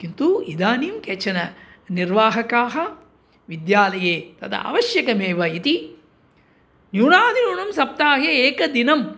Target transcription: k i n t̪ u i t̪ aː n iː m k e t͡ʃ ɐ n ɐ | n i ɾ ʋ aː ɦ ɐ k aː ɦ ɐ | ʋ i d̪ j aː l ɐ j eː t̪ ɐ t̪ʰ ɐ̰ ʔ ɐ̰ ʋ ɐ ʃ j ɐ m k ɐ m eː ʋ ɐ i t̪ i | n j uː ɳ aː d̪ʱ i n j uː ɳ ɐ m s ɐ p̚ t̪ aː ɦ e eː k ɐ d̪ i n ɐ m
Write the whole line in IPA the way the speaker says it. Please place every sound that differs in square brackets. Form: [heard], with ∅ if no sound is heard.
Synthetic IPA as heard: k i n t̪ u i [d̪] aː n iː m k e t͡ʃ ɐ n ɐ | n i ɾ ʋ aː ɦ ɐ k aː ɦ ɐ | ʋ i d̪ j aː l ɐ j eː t̪ ɐ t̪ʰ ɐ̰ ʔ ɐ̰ ʋ ɐ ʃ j ɐ [∅] k ɐ m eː ʋ ɐ i t̪ i | n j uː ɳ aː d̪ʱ i n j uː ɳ ɐ m s ɐ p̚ t̪ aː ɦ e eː k ɐ d̪ i n ɐ m